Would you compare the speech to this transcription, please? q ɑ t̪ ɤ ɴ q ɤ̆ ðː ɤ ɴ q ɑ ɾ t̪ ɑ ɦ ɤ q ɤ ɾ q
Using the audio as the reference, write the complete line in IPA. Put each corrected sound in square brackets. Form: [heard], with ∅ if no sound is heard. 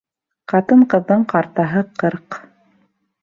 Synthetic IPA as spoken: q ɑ t̪ ɤ ɴ q ɤ̆ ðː ɤ ɴ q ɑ ɾ t̪ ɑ ɦ ɤ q ɤ ɾ q